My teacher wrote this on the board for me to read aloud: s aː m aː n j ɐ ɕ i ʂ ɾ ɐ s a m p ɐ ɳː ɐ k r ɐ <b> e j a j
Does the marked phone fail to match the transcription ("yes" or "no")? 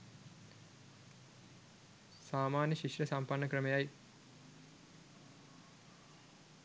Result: yes